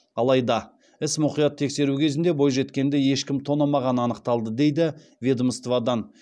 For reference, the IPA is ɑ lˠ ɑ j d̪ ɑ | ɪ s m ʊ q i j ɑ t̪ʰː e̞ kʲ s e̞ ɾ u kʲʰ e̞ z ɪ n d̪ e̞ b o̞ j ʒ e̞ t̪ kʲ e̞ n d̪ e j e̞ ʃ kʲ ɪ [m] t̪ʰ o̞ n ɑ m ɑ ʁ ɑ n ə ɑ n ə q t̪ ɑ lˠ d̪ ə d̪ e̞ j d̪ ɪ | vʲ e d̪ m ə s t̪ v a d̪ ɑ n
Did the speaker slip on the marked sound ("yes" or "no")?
no